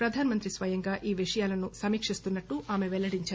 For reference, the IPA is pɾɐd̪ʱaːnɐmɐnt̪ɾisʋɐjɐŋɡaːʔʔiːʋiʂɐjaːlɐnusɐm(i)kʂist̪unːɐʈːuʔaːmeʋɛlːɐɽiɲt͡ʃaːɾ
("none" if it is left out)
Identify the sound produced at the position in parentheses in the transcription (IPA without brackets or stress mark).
iː